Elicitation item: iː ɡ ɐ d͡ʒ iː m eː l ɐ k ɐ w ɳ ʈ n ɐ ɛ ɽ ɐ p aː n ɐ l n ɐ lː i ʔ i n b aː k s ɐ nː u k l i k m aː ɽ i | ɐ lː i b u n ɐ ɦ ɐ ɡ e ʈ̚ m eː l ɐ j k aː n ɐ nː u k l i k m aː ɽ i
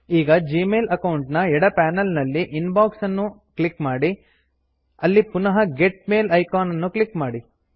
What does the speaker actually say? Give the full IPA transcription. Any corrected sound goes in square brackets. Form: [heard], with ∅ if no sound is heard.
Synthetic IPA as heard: iː ɡ ɐ d͡ʒ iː m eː l ɐ k ɐ w ɳ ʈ n ɐ ɛ ɽ ɐ p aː n ɐ l n ɐ lː i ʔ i n b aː k s ɐ nː u k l i k m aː ɽ i | ɐ lː i [p] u n ɐ ɦ ɐ ɡ e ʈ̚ m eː l ɐ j k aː n ɐ nː u k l i k m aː ɽ i